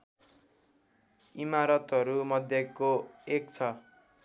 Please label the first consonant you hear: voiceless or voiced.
voiced